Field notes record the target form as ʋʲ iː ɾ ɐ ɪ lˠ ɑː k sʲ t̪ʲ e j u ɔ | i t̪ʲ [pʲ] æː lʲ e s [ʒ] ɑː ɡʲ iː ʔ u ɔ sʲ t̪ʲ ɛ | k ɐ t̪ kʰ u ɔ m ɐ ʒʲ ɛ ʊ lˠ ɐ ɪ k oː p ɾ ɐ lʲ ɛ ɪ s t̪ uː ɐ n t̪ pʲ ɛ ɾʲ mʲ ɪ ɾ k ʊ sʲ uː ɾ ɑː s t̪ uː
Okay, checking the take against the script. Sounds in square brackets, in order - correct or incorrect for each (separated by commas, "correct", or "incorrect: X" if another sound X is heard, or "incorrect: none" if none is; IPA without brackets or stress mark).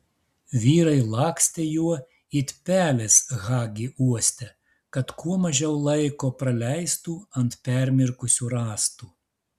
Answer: correct, incorrect: ɣ